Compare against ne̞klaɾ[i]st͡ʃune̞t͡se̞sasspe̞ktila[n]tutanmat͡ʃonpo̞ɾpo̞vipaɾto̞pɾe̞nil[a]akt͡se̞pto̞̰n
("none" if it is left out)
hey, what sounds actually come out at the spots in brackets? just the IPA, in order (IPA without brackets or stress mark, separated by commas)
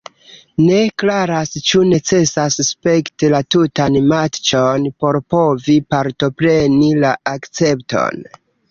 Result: a, none, a